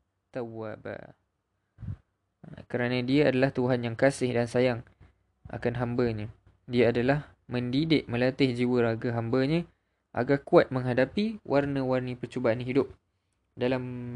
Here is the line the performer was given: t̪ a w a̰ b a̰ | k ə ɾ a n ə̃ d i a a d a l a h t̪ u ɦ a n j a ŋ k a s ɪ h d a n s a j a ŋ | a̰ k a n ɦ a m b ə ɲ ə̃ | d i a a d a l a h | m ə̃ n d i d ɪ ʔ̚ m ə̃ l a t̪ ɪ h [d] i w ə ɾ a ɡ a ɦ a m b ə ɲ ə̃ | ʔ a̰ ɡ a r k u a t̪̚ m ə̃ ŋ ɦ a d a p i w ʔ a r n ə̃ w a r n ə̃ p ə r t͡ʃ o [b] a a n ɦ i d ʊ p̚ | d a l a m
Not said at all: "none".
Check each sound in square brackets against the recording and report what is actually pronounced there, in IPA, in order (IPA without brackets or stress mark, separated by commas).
d͡ʒ, b